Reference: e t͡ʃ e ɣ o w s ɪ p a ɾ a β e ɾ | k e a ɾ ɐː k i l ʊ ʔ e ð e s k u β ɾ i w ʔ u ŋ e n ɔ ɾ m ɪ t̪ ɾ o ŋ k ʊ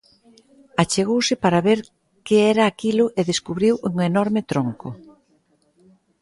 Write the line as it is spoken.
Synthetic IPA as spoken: a t͡ʃ e ɣ o w s ɪ p a ɾ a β e ɾ | k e ɛ ɾ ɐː k i l ʊ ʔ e ð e s k u β ɾ i w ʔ u ŋ e n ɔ ɾ m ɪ t̪ ɾ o ŋ k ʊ